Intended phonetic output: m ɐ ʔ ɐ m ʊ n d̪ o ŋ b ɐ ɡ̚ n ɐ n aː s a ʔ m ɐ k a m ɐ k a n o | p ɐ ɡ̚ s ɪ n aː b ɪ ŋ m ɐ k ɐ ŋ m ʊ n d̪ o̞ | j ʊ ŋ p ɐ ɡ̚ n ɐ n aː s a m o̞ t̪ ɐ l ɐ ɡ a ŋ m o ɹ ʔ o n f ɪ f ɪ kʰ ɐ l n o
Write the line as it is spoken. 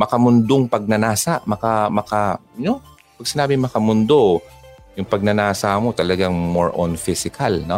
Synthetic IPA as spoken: m ɐ k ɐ m ʊ n d̪ o ŋ p ɐ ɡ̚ n ɐ n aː s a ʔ m ɐ k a m ɐ k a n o | p ɐ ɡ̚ s ɪ n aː b ɪ ŋ m ɐ k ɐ m ʊ n d̪ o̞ | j ʊ ŋ p ɐ ɡ̚ n ɐ n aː s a m o̞ t̪ ɐ l ɐ ɡ a ŋ m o ɹ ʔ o n f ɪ s ɪ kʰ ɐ l n o